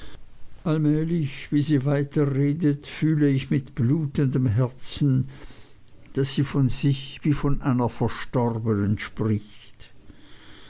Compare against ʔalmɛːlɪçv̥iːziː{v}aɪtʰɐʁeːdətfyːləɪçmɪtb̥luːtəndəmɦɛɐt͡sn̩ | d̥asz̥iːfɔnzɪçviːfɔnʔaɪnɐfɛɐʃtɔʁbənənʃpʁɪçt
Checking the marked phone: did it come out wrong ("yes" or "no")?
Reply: no